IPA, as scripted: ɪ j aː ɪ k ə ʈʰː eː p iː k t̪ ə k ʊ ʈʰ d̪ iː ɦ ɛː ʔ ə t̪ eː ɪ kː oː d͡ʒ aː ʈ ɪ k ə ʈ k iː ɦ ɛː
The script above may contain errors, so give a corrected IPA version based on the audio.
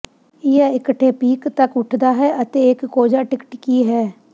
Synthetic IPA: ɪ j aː ɪ k ə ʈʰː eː p iː k t̪ ə k ʊ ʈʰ d̪ aː ɦ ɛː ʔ ə t̪ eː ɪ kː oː d͡ʒ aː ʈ ɪ k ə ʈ k iː ɦ ɛː

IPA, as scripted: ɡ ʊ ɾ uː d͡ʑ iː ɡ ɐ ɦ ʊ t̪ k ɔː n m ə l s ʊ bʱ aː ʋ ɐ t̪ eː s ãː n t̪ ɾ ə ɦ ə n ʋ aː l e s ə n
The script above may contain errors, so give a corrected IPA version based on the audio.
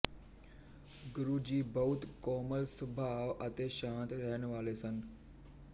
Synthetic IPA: ɡ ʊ ɾ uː d͡ʑ iː b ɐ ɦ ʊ t̪ k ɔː m ə l s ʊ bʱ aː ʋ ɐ t̪ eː ʃ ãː n t̪ ɾ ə ɦ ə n ʋ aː l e s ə n

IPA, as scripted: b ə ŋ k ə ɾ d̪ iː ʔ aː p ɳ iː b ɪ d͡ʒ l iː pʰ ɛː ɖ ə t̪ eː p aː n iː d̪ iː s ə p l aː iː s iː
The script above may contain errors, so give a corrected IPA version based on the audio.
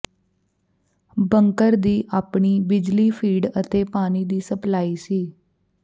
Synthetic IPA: b ə ŋ k ə ɾ d̪ iː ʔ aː p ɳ iː b ɪ d͡ʒ l iː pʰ iː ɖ ə t̪ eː p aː n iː d̪ iː s ə p l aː iː s iː

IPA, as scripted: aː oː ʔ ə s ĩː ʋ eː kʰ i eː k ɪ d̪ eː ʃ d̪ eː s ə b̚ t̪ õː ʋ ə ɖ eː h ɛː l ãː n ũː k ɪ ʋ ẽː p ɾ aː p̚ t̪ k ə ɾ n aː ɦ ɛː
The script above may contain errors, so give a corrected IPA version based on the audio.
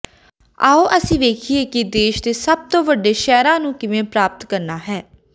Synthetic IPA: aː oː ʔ ə s ĩː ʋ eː kʰ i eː k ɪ d̪ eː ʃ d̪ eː s ə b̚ t̪ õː ʋ ə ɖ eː ʃ ɛː ɾ ãː n ũː k ɪ ʋ ẽː p ɾ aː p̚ t̪ k ə ɾ n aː ɦ ɛː

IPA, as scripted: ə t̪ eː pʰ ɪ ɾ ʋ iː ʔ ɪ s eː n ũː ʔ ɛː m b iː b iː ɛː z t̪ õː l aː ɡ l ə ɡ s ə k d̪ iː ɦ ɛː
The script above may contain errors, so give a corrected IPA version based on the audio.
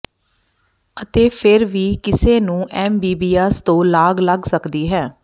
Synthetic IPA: ə t̪ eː pʰ ɪ ɾ ʋ iː k ɪ s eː n ũː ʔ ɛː m b iː b iː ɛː s t̪ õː l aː ɡ l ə ɡ s ə k d̪ iː ɦ ɛː

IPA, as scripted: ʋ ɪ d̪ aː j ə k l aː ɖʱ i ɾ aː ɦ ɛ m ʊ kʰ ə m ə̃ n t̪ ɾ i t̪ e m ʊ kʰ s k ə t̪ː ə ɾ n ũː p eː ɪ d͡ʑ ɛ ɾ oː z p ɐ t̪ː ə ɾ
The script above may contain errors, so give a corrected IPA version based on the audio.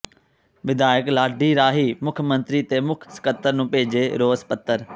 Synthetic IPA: ʋ ɪ d̪ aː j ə k l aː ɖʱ i ɾ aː ɦ i m ʊ kʰ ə m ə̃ n t̪ ɾ i t̪ e m ʊ kʰ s k ə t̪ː ə ɾ n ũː p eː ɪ d͡ʑ e ɾ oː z p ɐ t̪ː ə ɾ

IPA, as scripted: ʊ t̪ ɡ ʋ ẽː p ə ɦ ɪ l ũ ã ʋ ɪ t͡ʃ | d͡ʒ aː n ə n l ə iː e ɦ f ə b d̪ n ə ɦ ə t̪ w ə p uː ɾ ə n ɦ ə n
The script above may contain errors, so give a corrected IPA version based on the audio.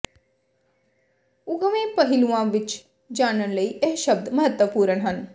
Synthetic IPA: ʊ ɡ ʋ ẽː p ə ɦ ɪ l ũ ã ʋ ɪ t͡ʃ | d͡ʒ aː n ə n l ə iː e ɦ ʃ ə b d̪ m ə ɦ ə t̪ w ə p uː ɾ ə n ɦ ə n

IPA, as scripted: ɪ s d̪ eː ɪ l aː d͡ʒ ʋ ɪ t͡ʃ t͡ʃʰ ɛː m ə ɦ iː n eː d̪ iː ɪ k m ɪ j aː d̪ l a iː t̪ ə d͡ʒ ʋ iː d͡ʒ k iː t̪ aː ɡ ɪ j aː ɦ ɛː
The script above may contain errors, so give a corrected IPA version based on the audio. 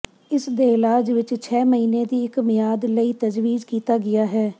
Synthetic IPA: ɪ s d̪ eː ɪ l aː d͡ʒ ʋ ɪ t͡ʃ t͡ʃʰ ɛː m ə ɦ iː n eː d̪ iː ɪ k m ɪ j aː d̪ l ə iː t̪ ə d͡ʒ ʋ iː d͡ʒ k iː t̪ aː ɡ ɪ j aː ɦ ɛː

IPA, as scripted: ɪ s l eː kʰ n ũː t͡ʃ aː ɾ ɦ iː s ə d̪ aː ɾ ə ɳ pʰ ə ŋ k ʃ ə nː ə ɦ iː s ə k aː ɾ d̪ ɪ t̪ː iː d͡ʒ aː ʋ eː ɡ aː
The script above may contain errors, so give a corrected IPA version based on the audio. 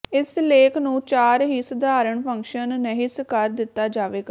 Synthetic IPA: ɪ s l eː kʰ n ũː t͡ʃ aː ɾ ɦ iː s ə d̪ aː ɾ ə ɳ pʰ ə ŋ k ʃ ə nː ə ɦ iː s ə k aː ɾ d̪ ɪ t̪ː aː d͡ʒ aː ʋ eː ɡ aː

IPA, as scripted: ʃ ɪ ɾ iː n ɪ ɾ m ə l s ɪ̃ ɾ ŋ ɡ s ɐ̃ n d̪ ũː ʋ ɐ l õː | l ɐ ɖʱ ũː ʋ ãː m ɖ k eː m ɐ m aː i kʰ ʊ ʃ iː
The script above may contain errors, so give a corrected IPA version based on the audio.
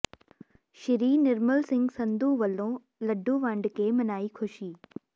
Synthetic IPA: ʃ ɪ ɾ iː n ɪ ɾ m ə l s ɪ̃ ŋ ɡ s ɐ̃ n d̪ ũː ʋ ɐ l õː | l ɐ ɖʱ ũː ʋ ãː ɳ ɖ k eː m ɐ n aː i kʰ ʊ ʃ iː

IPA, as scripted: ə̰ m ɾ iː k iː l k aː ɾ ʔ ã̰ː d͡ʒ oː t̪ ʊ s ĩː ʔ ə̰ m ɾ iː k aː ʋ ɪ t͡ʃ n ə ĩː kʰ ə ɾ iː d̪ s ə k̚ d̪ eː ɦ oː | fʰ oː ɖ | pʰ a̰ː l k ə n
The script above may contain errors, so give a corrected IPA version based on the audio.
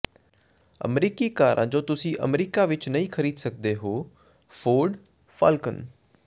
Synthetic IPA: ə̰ m ɾ iː k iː k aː ɾ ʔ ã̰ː d͡ʒ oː t̪ ʊ s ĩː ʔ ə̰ m ɾ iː k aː ʋ ɪ t͡ʃ n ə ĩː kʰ ə ɾ iː d̪ s ə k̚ d̪ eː ɦ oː | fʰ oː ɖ | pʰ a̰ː l k ə n

